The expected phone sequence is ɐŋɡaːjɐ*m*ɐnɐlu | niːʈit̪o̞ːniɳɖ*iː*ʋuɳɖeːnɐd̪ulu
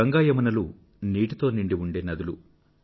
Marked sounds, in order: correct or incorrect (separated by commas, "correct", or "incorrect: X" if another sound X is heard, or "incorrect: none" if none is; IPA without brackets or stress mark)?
correct, incorrect: i